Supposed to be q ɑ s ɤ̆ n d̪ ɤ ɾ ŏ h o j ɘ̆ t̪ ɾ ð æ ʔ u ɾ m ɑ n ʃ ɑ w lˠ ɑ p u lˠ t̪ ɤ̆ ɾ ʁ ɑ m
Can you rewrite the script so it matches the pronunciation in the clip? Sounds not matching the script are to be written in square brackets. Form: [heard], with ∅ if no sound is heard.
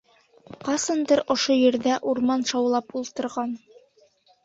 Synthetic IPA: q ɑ s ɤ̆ n d̪ ɤ ɾ ŏ [ʃ] o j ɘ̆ [∅] ɾ ð æ ʔ u ɾ m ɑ n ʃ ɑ w lˠ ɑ p u lˠ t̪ ɤ̆ ɾ ʁ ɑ [n]